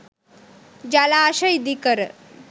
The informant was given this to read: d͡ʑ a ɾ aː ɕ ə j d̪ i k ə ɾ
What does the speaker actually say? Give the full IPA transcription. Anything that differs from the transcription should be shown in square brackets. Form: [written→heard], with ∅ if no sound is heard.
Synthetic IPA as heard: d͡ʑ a [ɾ→l] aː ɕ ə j d̪ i k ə ɾ